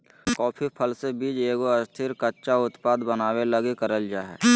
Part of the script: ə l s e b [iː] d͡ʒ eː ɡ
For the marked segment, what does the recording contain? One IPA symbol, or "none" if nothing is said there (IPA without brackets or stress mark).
iː